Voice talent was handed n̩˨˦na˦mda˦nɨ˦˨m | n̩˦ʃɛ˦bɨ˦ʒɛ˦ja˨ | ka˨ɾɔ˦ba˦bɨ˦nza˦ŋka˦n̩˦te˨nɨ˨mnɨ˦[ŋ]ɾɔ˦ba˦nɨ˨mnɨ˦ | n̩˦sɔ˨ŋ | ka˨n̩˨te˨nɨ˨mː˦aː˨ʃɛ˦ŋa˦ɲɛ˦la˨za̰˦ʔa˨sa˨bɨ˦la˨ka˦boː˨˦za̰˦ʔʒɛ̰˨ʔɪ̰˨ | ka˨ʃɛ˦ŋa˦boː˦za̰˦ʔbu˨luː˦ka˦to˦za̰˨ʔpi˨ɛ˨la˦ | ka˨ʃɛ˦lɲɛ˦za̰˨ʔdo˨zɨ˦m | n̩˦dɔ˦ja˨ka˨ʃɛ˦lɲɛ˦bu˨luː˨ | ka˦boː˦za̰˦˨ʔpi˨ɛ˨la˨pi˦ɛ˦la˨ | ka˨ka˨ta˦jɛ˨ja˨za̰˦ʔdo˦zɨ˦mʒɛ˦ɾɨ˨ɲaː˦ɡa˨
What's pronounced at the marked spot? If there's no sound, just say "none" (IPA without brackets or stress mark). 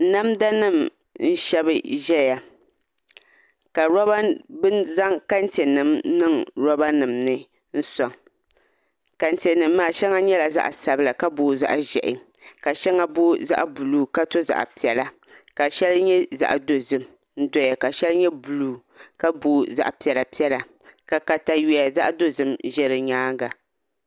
ŋ